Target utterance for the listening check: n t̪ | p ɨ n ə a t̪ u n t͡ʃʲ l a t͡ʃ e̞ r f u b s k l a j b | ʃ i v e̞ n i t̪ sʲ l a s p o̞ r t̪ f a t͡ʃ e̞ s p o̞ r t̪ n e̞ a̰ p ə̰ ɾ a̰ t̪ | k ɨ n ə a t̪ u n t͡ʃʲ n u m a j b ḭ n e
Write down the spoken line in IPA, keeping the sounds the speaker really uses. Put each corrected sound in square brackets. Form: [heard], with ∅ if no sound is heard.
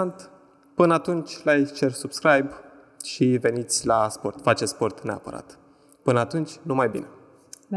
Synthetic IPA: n t̪ | p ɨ n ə a t̪ u n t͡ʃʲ l a t͡ʃ e̞ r [s] u b s k [ɾ] a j b | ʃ i v e̞ n i t̪ sʲ l a s p o̞ r t̪ f a t͡ʃ e̞ s p o̞ r t̪ n e̞ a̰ p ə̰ ɾ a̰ t̪ | [p] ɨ n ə a t̪ u n t͡ʃʲ n u m a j b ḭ n e